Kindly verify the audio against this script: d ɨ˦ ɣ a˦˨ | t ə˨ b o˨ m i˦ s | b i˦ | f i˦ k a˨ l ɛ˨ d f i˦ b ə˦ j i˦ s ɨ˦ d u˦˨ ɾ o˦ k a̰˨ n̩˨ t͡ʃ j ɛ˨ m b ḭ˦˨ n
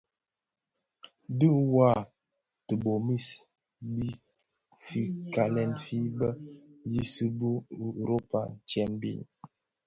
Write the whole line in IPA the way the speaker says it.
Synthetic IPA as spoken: d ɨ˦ w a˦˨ | t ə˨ b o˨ m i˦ s | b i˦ | f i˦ k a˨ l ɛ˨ n f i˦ b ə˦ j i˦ s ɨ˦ b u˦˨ ɾ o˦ p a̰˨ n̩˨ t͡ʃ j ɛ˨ m b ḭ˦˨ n

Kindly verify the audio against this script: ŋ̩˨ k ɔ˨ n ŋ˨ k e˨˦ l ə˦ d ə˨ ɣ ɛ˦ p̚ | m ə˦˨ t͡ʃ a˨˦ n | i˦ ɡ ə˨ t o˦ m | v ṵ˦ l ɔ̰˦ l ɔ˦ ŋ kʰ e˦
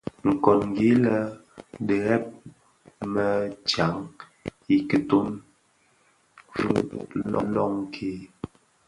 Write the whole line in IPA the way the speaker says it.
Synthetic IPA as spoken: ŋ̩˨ k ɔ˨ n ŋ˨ ɡ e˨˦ l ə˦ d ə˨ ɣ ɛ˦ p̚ | m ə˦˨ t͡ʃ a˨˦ ŋ | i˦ k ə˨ t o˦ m | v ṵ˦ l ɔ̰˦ l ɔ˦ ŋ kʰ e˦

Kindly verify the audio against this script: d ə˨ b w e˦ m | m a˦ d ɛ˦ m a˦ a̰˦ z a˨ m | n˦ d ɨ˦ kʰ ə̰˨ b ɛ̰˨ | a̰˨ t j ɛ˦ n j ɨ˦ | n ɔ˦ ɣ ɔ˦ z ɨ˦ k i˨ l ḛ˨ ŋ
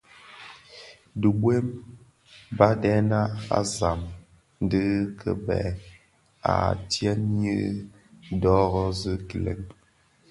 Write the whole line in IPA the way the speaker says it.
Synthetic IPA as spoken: d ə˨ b w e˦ m | b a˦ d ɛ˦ n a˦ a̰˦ z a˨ m | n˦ d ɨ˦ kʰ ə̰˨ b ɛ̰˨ | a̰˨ t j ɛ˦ n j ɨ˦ | d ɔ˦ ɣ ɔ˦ z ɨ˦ k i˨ l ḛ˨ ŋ

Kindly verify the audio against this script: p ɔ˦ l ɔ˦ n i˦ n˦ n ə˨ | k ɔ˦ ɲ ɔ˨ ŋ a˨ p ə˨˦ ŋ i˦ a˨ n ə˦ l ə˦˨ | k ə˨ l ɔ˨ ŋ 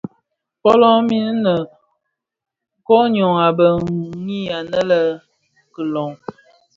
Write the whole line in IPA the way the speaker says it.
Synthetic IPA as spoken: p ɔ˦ l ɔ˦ m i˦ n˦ n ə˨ | k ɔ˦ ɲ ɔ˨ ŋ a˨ b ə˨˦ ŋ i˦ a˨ n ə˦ l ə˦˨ | k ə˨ l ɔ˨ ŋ

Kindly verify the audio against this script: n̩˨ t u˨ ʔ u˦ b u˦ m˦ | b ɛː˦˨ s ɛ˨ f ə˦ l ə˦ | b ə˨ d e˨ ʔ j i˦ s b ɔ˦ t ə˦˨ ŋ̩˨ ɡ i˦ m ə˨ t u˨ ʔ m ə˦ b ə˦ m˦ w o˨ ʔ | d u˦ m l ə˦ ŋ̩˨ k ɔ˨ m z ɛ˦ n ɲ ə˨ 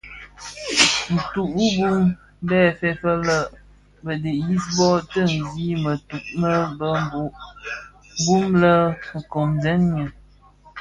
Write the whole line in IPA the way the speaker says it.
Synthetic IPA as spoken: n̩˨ t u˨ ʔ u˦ b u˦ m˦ | b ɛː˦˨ f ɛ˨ f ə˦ l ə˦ | b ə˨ d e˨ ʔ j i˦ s b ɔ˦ t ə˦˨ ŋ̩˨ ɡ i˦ m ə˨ t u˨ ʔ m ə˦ b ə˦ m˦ b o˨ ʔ | b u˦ m l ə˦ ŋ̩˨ k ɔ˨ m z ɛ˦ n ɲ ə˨

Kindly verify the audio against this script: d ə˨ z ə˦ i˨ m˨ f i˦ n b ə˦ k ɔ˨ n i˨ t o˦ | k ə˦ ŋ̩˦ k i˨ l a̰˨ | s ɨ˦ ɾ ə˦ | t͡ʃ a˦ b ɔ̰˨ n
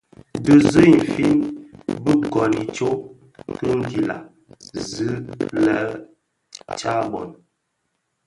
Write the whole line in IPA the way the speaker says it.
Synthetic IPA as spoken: d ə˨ z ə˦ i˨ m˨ f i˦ n b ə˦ k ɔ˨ n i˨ t͡ʃ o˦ | k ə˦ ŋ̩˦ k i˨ l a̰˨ | z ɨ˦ l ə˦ | t͡ʃ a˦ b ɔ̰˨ n

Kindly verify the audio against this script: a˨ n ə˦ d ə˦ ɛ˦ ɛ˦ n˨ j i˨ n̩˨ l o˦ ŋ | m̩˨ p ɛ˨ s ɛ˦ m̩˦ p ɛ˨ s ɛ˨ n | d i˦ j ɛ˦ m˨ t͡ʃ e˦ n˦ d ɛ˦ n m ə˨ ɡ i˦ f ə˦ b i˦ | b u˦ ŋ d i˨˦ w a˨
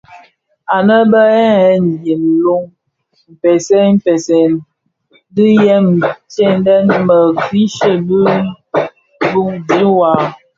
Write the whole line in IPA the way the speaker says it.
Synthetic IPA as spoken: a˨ n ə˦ b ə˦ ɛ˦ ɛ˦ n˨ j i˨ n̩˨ l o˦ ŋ | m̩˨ p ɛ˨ s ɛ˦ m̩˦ p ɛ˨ s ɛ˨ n | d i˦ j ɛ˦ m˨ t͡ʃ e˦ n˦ d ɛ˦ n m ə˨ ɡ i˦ ʃ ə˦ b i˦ | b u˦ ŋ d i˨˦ w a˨

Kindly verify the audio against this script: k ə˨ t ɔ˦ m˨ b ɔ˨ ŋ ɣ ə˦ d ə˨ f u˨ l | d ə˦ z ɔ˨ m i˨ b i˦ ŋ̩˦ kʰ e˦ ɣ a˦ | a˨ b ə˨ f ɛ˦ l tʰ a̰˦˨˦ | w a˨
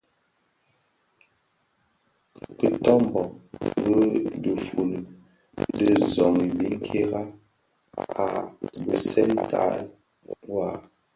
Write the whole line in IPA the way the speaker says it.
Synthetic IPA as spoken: k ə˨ t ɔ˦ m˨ b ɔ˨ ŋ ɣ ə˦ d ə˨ f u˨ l | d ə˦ z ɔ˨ ŋ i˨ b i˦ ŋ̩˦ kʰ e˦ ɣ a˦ | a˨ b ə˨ s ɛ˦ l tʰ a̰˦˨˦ | w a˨

